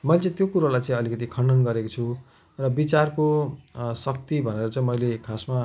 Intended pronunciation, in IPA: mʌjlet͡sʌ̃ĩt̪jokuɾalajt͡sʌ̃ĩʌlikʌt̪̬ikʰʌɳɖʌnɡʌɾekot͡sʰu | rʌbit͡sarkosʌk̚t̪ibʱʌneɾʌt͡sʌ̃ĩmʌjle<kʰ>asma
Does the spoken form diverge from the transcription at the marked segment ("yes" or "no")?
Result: no